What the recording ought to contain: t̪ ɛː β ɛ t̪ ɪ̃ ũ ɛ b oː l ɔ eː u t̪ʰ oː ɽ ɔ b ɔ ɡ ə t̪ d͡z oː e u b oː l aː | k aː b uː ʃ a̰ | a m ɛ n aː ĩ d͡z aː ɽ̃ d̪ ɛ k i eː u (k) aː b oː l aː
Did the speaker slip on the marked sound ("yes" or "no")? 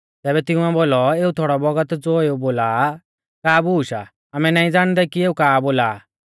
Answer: no